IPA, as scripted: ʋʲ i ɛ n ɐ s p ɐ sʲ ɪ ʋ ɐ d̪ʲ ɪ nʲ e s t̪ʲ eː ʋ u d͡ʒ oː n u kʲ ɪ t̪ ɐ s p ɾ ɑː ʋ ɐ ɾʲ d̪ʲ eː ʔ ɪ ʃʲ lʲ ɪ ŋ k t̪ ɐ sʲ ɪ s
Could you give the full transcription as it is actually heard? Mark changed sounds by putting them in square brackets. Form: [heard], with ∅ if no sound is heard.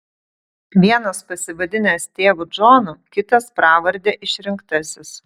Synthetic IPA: ʋʲ i ɛ n ɐ s p ɐ sʲ ɪ ʋ ɐ d̪ʲ ɪ nʲ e s t̪ʲ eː ʋ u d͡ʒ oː n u kʲ ɪ t̪ ɐ s p ɾ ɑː ʋ ɐ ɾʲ d̪ʲ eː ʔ ɪ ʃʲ [ɾʲ] ɪ ŋ k t̪ ɐ sʲ ɪ s